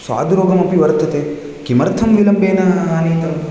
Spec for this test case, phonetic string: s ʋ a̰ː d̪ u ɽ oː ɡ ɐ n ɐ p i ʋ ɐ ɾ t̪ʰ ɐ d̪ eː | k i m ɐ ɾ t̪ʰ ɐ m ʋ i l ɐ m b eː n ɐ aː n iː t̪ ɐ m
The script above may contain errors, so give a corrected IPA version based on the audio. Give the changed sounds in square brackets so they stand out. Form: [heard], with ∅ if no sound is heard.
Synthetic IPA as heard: s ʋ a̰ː d̪ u [ɾ] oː ɡ ɐ [m] ɐ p i ʋ ɐ ɾ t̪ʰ ɐ [t̪] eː | k i m ɐ ɾ t̪ʰ ɐ m ʋ i l ɐ m b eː n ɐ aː n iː t̪ ɐ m